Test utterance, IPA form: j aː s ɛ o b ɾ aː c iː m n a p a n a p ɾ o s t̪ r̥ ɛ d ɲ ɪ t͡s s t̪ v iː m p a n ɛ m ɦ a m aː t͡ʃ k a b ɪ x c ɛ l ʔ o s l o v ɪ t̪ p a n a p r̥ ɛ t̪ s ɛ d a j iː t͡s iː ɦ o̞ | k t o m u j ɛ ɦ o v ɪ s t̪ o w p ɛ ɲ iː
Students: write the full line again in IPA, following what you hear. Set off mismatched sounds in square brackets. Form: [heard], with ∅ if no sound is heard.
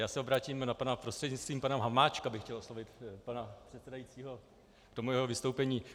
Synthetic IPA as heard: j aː s ɛ o b ɾ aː c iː m n a p a n a p ɾ o s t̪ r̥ ɛ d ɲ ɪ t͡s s t̪ v iː m p a n ɛ m ɦ a m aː t͡ʃ k a b ɪ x c ɛ l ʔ o s l o v ɪ t̪ p a n a p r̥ ɛ t̪ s ɛ d a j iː t͡s iː ɦ o̞ | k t o m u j ɛ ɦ o v ɪ s t̪ o w p ɛ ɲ iː